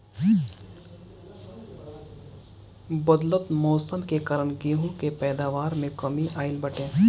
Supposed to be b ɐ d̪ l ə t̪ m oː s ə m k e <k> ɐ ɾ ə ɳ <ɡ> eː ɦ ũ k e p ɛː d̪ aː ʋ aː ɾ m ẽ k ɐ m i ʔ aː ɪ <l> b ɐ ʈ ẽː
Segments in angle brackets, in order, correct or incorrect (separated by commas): correct, correct, correct